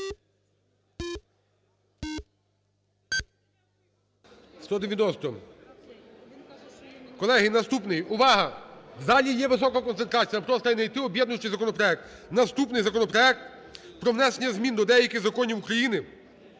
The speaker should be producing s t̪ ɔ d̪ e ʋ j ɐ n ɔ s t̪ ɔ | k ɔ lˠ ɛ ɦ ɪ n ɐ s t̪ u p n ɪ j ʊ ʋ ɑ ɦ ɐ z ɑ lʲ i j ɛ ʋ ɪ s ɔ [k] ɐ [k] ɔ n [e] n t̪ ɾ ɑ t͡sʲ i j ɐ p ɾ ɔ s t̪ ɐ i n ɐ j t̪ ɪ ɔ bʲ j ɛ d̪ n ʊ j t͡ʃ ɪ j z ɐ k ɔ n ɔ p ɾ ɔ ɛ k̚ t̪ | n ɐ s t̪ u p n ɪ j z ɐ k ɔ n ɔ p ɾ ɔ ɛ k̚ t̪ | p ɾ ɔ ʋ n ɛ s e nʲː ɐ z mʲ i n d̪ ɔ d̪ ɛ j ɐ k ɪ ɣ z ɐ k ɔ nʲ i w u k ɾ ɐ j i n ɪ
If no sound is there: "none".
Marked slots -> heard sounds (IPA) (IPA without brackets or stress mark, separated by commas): k, k, e